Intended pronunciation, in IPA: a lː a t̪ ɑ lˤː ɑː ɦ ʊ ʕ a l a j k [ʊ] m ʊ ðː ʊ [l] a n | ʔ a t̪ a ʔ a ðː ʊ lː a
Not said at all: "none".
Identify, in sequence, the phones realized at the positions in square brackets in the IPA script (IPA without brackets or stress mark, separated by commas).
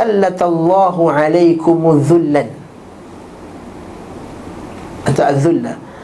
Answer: ʊ, lː